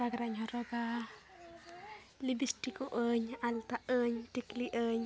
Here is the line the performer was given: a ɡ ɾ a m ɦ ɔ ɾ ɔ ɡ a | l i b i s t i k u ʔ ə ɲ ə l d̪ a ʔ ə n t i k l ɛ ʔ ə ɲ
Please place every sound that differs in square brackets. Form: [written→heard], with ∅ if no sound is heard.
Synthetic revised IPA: a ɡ ɾ a [m→ɲ] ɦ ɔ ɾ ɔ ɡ a | l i b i s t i k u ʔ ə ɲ [ə→a] l [d̪→t̪] a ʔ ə [n→ɲ] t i k l [ɛ→i] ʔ ə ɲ